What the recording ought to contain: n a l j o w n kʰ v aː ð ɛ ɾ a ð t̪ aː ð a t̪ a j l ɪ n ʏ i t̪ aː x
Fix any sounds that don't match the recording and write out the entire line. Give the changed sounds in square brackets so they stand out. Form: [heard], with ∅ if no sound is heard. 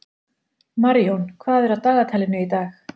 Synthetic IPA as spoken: [m] a [ɾ] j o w n kʰ v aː ð ɛ ɾ a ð t̪ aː [ɣ] a [t̪ʰ] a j l ɪ n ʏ i t̪ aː x